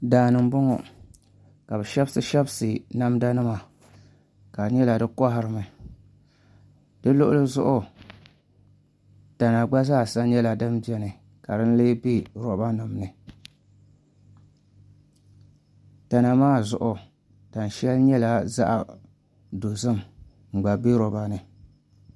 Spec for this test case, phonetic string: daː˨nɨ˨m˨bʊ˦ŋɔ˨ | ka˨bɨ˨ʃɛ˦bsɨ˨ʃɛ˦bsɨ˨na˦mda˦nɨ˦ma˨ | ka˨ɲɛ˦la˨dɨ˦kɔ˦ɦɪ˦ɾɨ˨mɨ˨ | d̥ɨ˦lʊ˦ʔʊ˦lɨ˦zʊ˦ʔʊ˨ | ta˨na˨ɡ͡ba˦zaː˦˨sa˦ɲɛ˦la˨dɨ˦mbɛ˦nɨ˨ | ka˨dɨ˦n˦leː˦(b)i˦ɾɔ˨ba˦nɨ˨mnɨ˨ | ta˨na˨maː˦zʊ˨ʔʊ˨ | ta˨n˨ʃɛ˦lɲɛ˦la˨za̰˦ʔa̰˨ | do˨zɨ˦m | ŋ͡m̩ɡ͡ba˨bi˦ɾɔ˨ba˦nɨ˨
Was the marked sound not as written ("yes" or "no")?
no